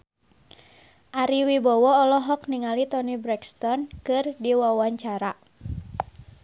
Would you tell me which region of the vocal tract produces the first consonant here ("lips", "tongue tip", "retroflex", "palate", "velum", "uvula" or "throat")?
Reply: throat